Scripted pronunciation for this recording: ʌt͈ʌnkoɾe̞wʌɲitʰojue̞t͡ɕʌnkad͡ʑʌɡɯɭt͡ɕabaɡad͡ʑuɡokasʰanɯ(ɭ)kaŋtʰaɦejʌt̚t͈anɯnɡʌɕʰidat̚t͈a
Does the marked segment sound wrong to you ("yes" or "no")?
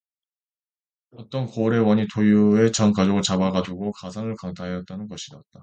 no